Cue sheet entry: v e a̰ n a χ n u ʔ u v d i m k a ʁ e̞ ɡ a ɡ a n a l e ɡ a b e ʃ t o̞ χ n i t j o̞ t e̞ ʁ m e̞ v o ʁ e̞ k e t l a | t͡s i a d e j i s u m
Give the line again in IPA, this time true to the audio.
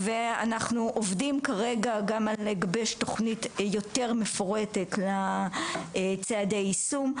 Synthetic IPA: v e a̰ n a χ n u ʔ o v d i m k a ʁ e̞ ɡ a ɡ a m a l e ɡ a b e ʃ t o̞ χ n i t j o̞ t e̞ ʁ m e̞ f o ʁ e̞ t e t l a | t͡s e a d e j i s u m